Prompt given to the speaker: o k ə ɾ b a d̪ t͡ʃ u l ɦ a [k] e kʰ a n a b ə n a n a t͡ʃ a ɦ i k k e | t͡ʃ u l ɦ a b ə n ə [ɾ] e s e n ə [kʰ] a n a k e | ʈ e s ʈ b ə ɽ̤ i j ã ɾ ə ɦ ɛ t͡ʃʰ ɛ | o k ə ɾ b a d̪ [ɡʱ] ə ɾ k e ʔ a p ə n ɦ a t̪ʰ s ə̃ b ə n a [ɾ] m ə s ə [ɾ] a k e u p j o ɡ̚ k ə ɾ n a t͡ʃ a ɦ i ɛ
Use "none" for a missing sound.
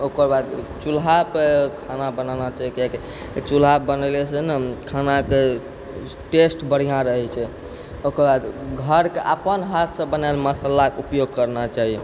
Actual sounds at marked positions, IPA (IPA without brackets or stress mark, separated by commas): p, l, kʰ, ɡʱ, l, l